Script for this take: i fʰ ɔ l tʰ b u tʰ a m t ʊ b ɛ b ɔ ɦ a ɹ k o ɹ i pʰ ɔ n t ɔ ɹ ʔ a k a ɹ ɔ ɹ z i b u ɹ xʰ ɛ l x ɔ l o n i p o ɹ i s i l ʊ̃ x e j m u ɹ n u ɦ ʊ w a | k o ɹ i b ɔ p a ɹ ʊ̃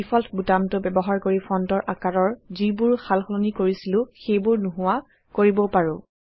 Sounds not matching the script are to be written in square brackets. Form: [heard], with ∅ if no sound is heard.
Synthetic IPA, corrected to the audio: i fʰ ɔ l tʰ b u [t] a m t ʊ b ɛ b ɔ ɦ a ɹ k o ɹ i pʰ ɔ n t ɔ ɹ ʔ a k a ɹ ɔ ɹ z i b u ɹ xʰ [a] l x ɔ l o n i [k] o ɹ i s i l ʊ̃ x e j [b] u ɹ n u ɦ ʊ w a | k o ɹ i b ɔ p a ɹ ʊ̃

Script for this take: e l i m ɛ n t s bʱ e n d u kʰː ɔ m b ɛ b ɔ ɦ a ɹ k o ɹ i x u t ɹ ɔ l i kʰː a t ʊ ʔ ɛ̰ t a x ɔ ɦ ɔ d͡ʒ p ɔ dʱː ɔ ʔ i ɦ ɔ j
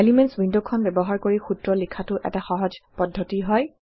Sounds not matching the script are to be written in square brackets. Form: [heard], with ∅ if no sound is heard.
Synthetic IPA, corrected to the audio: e l i m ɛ n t s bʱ [i] n d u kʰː ɔ [n] b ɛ b ɔ ɦ a ɹ k o ɹ i x u t ɹ ɔ l i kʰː a t ʊ ʔ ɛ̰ t a x ɔ ɦ ɔ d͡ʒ p ɔ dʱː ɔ [t] i ɦ ɔ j

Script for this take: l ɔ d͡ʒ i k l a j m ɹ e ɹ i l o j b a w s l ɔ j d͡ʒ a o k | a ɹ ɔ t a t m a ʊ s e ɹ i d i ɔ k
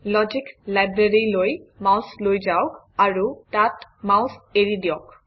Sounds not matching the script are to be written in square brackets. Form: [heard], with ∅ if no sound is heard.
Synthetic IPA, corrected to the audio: l ɔ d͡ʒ i k l a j [b] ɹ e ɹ i l o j [m] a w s l [o] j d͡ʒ a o k | a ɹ [u] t a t m a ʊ s e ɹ i d i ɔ k

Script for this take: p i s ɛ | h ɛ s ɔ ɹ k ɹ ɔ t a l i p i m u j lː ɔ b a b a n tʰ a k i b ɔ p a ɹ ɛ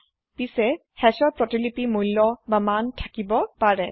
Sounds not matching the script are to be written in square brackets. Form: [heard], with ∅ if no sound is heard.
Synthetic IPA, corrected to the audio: p i s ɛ | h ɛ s ɔ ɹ [p] ɹ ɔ t [i] l i p i m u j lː ɔ b a [m] a n tʰ a k i b ɔ p a ɹ ɛ

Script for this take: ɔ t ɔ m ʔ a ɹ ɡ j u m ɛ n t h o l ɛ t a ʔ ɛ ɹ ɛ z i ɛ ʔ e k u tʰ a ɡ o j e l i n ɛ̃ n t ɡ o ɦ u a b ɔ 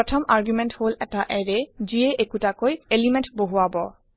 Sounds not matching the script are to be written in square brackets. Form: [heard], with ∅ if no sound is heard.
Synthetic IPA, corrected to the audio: ɔ [tʰ] ɔ m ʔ a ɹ ɡ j u m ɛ n t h o l ɛ t a ʔ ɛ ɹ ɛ z i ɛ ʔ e k u [t] a [k] o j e l i [m] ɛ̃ n t [b] o ɦ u a b ɔ

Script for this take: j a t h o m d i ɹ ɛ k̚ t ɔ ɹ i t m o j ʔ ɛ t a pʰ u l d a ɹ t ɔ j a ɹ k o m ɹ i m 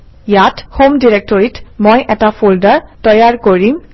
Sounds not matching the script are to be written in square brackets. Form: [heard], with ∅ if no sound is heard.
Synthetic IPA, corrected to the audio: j a t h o m d i ɹ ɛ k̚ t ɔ ɹ i t m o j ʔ ɛ t a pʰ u l d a ɹ t ɔ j a ɹ k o [∅] ɹ i m

